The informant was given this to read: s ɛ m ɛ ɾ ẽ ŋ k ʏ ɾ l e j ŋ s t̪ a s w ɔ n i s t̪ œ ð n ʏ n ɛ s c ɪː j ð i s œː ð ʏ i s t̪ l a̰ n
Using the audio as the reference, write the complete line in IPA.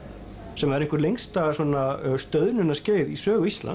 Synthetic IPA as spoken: s ɛ m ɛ ɾ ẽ ŋ k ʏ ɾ l e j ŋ s t̪ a s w ɔ n a s t̪ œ ð n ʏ n a s c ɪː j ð i s œː ɣ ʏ i s t̪ l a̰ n

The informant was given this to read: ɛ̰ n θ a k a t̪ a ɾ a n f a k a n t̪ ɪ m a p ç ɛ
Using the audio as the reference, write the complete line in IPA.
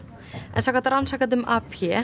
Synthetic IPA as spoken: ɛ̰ n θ a k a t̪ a ɾ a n s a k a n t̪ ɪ m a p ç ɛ

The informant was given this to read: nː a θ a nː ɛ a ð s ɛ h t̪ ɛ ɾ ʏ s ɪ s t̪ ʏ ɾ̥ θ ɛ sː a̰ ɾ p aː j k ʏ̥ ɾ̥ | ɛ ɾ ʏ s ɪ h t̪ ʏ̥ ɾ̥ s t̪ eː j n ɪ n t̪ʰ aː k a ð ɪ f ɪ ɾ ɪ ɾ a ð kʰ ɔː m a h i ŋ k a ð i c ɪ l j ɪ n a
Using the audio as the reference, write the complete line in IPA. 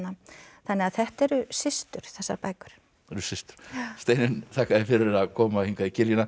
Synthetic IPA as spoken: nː a θ a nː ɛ a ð θ ɛ h t̪ ɛ ɾ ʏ s ɪ s t̪ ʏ ɾ̥ θ ɛ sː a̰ ɾ p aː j k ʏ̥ ɾ̥ | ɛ ɾ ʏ s ɪ s t̪ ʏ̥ ɾ̥ s t̪ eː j n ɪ n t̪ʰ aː k a ð ɪ f ɪ ɾ ɪ ɾ a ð kʰ ɔː m a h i ŋ k a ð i c ɪ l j ɪ n a

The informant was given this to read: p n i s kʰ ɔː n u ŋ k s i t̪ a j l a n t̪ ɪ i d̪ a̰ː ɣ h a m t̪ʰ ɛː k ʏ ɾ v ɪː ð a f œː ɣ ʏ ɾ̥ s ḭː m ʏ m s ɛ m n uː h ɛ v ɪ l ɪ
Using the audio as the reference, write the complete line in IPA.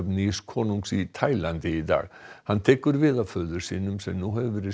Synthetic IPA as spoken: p n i s kʰ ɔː n u ŋ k s i t̪ʰ a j l a n t̪ ɪ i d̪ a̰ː ɣ h a n t̪ʰ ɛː k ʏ ɾ v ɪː ð a f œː ð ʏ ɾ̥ s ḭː n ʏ m s ɛ m n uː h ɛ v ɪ ɾ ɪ

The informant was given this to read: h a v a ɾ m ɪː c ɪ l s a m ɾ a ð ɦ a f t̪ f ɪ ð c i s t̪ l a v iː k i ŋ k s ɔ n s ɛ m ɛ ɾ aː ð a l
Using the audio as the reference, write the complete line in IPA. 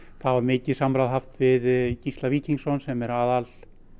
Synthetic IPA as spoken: θ a v a ɾ m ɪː c ɪ s a m ɾ a ð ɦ a f t̪ v ɪ ð c i s t̪ l a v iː c i ŋ k s ɔ n s ɛ m ɛ ɾ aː ð a l

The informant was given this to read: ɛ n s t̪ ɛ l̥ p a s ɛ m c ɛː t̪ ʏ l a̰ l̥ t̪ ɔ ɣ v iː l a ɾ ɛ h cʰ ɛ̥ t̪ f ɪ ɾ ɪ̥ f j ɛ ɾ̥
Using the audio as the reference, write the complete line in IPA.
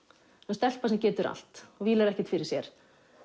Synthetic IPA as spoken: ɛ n s t̪ ɛ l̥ p a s ɛ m c ɛː t̪ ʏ ɾ a̰ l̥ t̪ ɔ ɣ v iː l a ɾ ɛ h c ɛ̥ t̪ f ɪ ɾ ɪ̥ s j ɛ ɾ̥

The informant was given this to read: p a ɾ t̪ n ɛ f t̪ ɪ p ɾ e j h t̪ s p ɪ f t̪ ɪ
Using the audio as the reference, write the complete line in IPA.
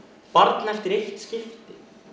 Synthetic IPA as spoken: p a ɾ t̪ n ɛ f t̪ ɪ ɾ e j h t̪ s c ɪ f t̪ ɪ

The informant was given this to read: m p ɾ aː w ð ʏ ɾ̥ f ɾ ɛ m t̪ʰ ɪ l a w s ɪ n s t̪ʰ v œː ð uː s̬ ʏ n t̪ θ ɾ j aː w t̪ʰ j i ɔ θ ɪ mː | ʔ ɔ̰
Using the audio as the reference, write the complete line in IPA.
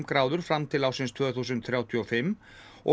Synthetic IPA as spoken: m k ɾ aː w ð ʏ ɾ̥ f ɾ a m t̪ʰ ɪ l a w s ɪ n s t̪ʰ v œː θ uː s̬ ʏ n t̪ θ ɾ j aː w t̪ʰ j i ɔ f ɪ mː | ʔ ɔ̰

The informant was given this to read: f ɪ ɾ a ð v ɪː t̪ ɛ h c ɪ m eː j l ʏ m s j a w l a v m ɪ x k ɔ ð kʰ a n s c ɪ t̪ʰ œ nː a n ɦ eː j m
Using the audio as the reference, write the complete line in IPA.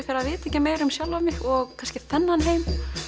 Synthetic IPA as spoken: f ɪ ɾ a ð v ɪː t̪ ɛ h c ɪ m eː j ɾ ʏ m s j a w l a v m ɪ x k ɔ ɣ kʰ a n s c ɪ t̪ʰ ɛ nː a n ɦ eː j m

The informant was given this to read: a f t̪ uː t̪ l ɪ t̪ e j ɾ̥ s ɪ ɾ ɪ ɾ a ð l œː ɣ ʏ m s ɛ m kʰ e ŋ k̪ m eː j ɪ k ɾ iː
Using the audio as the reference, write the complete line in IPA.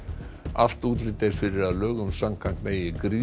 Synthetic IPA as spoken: a f t̪ uː t̪ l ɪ t̪ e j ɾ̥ f ɪ ɾ ɪ ɾ a ð l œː ɣ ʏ m s a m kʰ a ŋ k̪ m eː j ɪ k ɾ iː

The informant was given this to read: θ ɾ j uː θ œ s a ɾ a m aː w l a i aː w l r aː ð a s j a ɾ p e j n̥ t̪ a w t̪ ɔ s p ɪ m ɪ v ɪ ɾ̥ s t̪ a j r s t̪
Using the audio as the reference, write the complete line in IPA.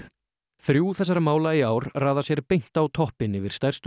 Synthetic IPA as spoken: θ ɾ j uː θ ɛ s a ɾ a m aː w l a i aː w ɾ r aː ð a s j ɛ ɾ p e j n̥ t̪ a w t̪ʰ ɔ h p ɪ n ɪ v ɪ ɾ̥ s t̪ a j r s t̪

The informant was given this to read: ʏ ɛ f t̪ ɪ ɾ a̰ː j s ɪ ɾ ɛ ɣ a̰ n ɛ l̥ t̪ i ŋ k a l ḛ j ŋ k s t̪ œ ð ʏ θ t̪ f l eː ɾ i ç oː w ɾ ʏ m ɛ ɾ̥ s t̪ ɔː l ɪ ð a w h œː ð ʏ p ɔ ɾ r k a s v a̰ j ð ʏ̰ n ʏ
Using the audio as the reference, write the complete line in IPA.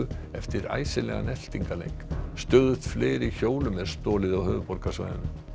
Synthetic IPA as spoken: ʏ ɛ f t̪ ɪ ɾ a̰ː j s ɪ l ɛ ɣ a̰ n ɛ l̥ t̪ i ŋ k a l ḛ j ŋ k s t̪ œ ð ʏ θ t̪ f l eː ɾ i ç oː w l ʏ m ɛ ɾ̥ s t̪ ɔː l ɪ ð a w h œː v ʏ p ɔ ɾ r k a s v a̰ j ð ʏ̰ n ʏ

